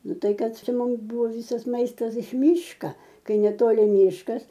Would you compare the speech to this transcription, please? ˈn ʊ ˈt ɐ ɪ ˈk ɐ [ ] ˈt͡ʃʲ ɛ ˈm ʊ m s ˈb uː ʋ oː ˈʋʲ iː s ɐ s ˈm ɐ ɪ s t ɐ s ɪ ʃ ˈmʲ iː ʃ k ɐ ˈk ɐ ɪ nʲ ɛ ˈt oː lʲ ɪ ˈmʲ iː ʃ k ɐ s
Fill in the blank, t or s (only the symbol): t